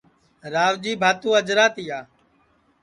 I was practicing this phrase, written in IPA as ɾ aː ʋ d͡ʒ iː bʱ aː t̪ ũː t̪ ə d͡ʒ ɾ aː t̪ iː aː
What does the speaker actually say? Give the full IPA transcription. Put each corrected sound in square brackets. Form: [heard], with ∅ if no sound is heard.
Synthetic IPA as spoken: ɾ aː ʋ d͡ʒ iː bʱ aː t̪ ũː [∅] ə d͡ʒ ɾ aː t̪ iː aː